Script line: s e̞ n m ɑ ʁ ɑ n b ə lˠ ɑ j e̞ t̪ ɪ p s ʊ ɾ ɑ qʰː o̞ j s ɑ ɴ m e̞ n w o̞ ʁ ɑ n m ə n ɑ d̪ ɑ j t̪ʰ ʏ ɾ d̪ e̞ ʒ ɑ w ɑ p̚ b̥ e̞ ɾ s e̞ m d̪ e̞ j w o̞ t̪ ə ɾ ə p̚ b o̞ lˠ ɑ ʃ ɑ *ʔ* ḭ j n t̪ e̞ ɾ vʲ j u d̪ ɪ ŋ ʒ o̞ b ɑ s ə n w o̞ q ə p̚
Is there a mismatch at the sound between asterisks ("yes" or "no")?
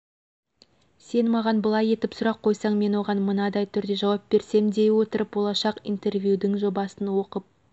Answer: yes